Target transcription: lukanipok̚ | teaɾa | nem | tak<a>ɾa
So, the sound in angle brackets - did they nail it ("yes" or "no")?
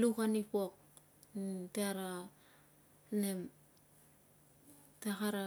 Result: yes